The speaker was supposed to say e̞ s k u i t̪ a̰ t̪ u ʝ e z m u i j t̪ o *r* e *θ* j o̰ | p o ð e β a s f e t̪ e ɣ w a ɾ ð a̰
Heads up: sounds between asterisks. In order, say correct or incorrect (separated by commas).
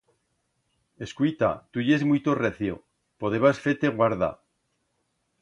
correct, correct